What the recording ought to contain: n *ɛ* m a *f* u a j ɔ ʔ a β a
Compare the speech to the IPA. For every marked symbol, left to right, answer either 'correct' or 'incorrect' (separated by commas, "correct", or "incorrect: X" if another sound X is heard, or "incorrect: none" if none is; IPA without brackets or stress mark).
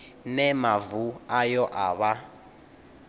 correct, incorrect: v